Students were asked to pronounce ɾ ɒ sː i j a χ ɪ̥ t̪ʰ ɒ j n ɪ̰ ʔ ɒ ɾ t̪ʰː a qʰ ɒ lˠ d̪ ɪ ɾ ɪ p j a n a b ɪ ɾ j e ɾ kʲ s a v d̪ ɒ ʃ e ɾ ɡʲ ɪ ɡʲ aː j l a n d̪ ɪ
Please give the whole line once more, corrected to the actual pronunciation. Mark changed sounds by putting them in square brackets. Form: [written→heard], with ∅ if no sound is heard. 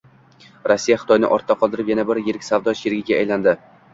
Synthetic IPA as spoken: ɾ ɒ sː i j a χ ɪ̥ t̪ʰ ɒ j n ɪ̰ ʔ ɒ ɾ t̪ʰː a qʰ ɒ lˠ d̪ ɪ ɾ ɪ p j a n a b ɪ ɾ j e ɾ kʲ s a v d̪ ɒ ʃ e ɾ ɡʲ ɪ ɡʲ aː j l a n d̪ ɪ